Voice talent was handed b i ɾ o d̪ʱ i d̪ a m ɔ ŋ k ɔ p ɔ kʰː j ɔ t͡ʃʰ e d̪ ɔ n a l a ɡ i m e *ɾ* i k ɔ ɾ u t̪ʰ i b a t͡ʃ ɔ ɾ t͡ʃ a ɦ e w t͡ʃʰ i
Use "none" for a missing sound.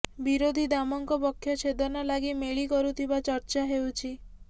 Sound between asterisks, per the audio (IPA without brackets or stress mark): ɭ